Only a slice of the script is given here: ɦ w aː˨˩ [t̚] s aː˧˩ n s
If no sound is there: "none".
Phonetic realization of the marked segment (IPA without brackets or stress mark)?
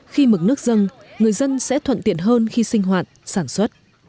t̚